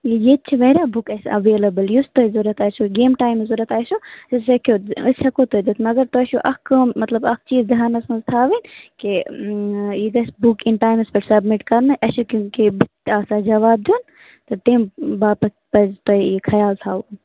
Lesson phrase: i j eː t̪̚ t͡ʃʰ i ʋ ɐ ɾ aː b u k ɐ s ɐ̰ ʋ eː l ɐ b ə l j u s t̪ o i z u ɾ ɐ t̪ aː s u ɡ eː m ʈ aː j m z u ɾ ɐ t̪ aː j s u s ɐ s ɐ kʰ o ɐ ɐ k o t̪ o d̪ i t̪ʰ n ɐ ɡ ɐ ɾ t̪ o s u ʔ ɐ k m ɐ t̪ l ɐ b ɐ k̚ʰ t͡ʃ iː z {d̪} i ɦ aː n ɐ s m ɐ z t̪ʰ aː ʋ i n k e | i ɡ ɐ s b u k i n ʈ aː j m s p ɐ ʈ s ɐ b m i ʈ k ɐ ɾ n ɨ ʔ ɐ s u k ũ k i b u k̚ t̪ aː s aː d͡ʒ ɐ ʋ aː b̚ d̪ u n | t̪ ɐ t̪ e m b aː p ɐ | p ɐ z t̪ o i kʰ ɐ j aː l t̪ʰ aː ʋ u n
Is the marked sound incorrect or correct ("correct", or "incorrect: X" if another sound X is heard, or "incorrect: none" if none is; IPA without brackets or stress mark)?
correct